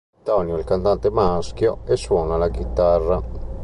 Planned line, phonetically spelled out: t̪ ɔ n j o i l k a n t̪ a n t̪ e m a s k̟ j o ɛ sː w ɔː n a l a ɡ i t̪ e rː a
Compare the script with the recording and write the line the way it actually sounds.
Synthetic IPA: t̪ ɔ n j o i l k a n t̪ a n t̪ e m a s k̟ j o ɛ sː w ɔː n a l a ɡ i t̪ a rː a